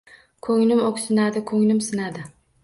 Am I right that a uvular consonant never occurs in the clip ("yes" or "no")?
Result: yes